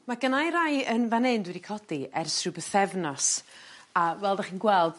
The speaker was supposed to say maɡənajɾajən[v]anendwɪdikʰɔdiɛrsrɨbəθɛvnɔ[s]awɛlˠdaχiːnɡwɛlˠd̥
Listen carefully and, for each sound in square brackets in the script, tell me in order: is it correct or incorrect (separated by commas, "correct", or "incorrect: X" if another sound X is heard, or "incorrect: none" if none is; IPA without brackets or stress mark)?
correct, correct